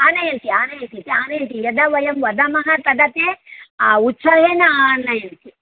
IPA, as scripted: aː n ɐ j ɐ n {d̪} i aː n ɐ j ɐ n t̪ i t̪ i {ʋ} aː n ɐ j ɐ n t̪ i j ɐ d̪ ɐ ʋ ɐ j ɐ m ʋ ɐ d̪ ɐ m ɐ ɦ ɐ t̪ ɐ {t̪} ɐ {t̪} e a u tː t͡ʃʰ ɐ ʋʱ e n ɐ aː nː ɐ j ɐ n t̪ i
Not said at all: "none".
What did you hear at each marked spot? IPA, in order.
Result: t̪, none, d̪, t̪

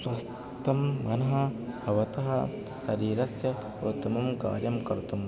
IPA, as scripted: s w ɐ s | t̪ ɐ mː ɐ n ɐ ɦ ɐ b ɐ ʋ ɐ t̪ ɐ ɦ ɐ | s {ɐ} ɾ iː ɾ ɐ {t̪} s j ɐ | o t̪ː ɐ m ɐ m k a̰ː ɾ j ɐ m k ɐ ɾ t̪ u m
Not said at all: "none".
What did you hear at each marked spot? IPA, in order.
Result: ɐ, none

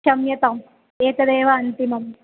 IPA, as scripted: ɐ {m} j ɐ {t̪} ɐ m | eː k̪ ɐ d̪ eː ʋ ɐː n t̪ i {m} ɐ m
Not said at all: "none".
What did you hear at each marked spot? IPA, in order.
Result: m, t̪, m

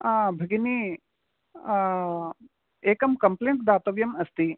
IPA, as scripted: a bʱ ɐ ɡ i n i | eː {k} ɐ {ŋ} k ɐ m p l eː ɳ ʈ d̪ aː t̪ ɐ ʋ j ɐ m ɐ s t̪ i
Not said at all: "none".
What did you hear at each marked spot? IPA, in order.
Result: k, m

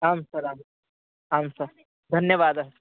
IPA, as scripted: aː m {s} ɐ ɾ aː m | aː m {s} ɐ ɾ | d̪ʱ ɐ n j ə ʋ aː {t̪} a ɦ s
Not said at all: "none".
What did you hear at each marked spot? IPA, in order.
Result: s, s, d̪

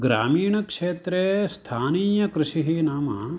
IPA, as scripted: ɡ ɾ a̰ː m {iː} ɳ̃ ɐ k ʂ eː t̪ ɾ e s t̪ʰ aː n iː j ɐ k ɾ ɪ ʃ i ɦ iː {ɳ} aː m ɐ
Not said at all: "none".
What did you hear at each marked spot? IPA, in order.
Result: iː, n

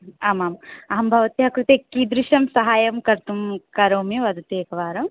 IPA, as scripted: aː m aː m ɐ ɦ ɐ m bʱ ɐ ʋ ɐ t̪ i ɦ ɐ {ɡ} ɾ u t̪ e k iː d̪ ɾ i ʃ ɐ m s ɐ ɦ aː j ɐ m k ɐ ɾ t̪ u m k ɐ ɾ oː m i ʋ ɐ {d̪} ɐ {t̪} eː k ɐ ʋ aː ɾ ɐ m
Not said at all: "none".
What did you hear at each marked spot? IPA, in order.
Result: k, d̪, t̪

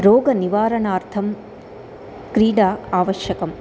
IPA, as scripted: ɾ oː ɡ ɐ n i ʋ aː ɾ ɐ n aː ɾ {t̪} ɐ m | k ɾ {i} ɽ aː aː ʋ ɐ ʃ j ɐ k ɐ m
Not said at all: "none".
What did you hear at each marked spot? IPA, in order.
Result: t̪ʰ, iː

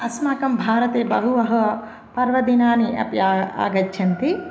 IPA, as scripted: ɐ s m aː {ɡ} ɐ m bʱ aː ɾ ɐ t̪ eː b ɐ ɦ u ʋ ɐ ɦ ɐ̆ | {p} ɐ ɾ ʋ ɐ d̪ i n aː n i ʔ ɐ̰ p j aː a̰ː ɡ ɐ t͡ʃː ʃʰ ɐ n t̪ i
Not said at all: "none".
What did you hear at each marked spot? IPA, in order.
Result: k, p

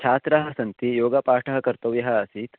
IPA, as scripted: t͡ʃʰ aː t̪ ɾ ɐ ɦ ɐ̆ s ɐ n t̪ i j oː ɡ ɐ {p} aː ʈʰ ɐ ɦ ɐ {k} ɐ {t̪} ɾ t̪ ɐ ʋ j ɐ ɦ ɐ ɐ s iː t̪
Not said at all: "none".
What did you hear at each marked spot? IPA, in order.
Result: p, k, none

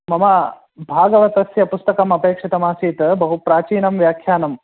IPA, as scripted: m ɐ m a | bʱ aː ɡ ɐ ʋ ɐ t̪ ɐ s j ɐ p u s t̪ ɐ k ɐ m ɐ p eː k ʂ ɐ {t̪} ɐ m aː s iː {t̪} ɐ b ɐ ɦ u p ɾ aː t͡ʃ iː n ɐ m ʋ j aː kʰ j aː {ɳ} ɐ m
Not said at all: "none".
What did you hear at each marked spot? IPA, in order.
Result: t̪, t̪, n

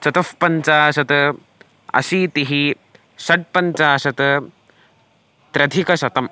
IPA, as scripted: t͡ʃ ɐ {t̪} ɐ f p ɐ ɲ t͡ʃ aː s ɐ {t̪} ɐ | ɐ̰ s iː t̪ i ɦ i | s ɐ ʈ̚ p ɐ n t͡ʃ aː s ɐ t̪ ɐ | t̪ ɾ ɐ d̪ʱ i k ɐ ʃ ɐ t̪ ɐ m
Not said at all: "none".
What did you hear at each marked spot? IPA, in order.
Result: t̪, t̪

